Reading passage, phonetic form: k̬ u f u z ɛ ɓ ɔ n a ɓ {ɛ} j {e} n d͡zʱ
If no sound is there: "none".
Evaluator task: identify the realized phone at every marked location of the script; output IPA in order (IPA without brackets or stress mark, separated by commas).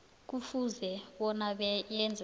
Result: ɛ, ɛ